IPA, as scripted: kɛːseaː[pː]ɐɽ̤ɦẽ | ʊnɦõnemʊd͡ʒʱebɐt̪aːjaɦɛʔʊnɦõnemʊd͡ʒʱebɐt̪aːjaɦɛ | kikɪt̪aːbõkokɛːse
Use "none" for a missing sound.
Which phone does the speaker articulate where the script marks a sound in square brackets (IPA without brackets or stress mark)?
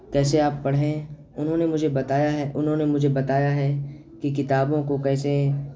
pː